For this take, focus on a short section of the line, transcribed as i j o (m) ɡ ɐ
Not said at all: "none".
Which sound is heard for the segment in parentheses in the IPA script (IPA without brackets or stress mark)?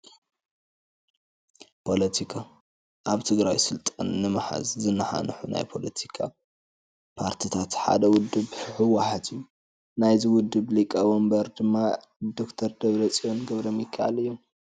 n